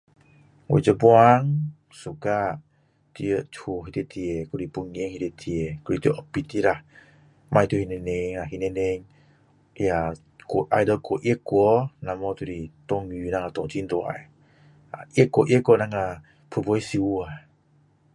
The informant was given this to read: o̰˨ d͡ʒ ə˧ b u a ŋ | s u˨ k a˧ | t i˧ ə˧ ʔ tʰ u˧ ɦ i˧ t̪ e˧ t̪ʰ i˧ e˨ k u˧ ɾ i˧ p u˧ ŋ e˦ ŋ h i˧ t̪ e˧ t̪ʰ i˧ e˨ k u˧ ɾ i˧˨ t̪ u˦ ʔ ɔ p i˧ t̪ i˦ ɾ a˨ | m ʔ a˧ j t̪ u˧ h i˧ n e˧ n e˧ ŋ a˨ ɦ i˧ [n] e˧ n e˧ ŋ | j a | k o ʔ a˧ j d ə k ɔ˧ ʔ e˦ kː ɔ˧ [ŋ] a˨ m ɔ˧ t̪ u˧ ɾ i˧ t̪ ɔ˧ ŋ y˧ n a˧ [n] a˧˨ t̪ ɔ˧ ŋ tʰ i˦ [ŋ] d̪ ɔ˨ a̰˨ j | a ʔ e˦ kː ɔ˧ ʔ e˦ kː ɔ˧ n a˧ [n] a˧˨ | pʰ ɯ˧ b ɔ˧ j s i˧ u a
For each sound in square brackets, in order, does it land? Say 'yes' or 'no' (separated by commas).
yes, no, no, no, no